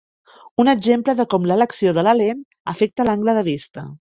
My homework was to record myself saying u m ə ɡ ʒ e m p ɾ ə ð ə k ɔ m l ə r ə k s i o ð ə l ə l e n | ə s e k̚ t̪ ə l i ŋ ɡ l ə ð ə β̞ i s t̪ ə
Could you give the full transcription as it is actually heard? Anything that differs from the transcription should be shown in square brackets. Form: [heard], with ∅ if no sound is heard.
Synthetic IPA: u [n] ə ɡ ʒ e m p [l] ə ð ə k ɔ m l ə [l] ə k s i o ð ə l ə l e n | ə [f] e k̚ t̪ ə l [a] ŋ ɡ l ə ð ə β̞ i s t̪ ə